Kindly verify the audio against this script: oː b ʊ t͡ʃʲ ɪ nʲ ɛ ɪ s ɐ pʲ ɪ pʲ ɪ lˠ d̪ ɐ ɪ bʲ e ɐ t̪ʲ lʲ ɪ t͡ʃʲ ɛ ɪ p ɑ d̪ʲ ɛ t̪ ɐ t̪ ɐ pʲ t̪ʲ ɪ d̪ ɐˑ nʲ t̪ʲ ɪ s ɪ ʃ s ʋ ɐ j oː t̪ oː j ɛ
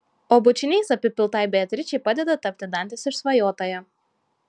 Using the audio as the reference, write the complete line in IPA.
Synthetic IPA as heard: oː b ʊ t͡ʃʲ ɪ nʲ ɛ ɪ s ɐ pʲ ɪ pʲ ɪ lˠ t̪ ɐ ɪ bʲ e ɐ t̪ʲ ɾʲ ɪ t͡ʃʲ ɛ ɪ p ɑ d̪ʲ ɛ d̪ ɐ t̪ ɐ pʲ t̪ʲ ɪ d̪ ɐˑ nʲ t̪ʲ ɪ s ɪ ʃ s ʋ ɐ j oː t̪ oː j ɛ

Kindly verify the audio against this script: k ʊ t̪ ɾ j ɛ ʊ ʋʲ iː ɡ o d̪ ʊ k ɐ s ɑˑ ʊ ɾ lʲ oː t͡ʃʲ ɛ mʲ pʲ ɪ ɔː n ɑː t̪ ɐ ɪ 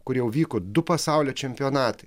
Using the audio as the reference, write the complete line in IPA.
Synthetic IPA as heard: k ʊ ɾ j ɛ ʊ ʋʲ iː k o d̪ ʊ p ɐ s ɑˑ ʊ lʲ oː t͡ʃʲ ɛ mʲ pʲ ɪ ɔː n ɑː t̪ ɐ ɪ

